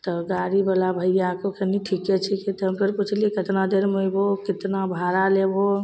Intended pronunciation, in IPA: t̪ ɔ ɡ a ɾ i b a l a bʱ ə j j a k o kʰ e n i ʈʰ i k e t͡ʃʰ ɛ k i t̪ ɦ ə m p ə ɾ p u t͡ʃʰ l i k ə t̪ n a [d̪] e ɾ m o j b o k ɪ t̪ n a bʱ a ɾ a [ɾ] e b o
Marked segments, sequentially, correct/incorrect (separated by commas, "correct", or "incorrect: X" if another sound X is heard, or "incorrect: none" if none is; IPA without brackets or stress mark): correct, incorrect: l